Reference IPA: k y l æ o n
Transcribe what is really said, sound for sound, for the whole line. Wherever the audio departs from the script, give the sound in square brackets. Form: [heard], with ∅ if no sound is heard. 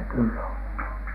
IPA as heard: k y [lː] æ o n